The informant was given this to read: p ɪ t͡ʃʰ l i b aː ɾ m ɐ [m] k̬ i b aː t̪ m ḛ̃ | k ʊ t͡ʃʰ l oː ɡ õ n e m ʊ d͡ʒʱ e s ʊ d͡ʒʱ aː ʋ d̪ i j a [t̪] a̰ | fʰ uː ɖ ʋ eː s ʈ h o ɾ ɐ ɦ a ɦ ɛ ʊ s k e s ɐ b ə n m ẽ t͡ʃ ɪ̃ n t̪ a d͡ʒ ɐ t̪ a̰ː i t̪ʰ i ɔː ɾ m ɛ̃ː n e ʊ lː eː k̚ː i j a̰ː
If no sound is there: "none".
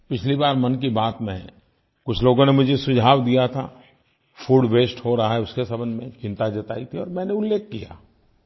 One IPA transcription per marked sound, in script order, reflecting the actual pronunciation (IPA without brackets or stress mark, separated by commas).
n, t̪ʰ